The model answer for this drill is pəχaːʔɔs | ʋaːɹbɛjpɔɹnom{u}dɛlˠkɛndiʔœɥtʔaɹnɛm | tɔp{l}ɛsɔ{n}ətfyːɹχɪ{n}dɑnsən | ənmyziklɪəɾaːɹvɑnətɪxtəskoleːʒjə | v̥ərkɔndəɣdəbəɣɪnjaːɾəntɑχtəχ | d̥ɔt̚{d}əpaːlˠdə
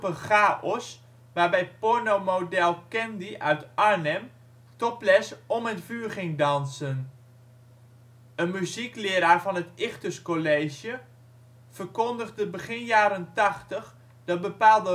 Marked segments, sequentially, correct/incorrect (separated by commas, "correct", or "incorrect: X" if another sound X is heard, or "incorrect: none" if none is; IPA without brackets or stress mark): incorrect: o, correct, incorrect: m, incorrect: ŋ, incorrect: b